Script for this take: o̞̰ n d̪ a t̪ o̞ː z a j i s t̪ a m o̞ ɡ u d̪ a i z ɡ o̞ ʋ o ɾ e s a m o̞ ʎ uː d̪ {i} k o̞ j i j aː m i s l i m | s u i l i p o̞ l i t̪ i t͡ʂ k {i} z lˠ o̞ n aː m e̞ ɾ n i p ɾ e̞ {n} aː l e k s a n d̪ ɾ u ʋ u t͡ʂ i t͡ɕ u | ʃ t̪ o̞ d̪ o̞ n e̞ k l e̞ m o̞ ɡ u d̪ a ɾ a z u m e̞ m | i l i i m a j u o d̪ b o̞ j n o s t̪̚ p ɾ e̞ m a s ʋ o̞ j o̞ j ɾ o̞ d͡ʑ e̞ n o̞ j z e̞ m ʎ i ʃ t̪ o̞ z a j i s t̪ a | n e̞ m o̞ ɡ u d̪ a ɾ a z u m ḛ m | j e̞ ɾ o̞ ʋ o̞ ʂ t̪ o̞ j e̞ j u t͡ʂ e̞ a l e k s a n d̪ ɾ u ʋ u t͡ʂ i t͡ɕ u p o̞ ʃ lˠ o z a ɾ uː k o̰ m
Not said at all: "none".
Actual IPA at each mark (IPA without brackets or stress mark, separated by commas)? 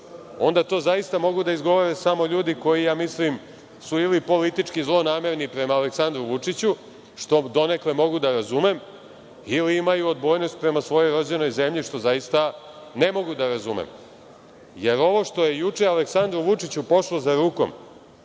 i, i, m